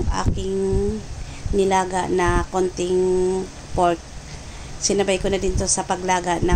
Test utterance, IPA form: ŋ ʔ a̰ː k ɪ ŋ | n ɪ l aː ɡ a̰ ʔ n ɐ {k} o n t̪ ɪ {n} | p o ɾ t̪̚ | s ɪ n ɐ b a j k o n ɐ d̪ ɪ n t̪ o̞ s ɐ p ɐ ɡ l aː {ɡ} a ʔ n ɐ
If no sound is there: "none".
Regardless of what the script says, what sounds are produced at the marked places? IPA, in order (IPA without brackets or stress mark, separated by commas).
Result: k, ŋ, ɡ